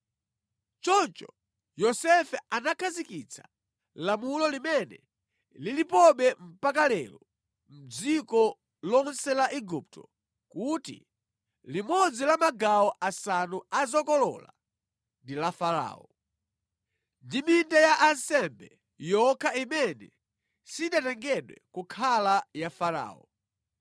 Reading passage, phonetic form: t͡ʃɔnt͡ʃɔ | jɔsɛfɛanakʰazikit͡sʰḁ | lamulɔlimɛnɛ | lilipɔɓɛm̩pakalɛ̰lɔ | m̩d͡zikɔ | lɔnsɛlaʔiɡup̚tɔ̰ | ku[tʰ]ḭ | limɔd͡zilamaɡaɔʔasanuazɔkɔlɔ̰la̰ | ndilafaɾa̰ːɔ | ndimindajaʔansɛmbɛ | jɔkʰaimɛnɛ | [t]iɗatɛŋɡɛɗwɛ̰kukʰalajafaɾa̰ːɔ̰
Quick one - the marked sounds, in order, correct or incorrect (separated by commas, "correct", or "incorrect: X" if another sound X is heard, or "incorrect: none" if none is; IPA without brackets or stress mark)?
incorrect: t, incorrect: s